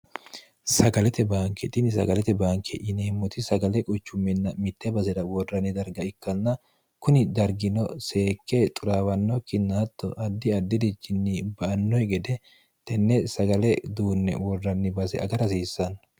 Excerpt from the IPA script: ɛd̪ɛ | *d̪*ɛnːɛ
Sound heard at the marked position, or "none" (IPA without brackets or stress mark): t̪